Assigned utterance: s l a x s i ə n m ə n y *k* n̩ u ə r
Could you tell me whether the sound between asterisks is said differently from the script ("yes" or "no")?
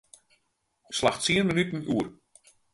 yes